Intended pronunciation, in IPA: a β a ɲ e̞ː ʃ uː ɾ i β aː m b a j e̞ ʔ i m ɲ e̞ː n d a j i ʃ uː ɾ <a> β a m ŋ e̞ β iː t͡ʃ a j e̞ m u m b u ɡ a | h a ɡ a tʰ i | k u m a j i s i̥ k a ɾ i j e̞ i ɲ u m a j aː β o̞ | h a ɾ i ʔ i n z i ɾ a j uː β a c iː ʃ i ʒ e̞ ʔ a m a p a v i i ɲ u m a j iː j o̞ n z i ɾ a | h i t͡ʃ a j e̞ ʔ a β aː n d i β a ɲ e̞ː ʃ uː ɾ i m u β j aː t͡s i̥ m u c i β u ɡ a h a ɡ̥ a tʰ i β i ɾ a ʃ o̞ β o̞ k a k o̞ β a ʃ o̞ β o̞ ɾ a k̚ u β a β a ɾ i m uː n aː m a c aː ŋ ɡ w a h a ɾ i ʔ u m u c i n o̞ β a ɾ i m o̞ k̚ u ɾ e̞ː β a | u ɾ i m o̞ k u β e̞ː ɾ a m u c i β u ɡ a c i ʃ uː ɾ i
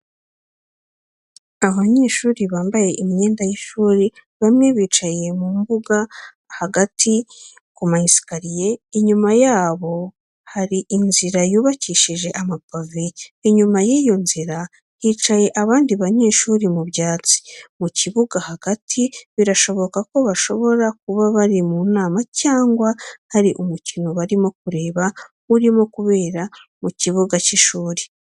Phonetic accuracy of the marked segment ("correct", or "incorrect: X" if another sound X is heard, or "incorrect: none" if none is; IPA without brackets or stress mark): incorrect: i